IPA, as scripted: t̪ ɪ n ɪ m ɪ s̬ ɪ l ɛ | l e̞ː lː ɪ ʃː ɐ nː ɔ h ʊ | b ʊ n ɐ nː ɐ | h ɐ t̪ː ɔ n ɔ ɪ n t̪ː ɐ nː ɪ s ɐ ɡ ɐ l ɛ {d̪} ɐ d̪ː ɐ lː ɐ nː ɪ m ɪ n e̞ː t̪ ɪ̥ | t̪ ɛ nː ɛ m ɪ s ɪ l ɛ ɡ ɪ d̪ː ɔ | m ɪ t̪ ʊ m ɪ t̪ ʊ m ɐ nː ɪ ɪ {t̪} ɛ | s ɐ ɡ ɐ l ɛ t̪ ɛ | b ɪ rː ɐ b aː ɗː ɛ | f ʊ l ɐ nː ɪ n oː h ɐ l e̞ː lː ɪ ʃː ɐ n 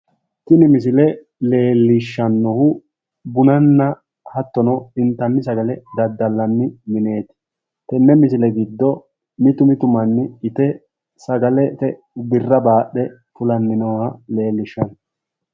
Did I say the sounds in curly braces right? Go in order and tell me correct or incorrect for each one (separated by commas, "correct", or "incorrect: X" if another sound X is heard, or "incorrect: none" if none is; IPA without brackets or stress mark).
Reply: correct, correct